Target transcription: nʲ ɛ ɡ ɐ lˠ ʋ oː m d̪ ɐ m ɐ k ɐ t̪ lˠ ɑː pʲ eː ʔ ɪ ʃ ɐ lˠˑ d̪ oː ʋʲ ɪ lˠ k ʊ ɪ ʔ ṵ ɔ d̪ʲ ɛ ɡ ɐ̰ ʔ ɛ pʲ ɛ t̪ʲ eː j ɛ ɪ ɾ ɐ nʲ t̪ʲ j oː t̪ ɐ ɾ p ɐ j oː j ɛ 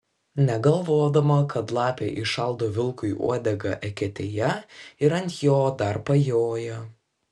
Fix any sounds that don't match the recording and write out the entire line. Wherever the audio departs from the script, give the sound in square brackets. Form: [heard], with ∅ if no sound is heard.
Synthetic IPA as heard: nʲ ɛ ɡ ɐ lˠ ʋ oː [∅] d̪ ɐ m ɐ k ɐ t̪ lˠ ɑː pʲ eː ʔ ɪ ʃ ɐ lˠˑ d̪ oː ʋʲ ɪ lˠ k ʊ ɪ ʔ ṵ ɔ d̪ʲ ɛ ɡ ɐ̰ ʔ ɛ [kʲ] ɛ t̪ʲ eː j ɛ ɪ ɾ ɐ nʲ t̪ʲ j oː [d̪] ɐ ɾ p ɐ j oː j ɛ